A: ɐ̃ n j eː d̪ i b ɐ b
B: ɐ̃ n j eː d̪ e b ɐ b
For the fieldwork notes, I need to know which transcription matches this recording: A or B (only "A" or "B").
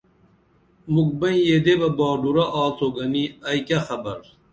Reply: B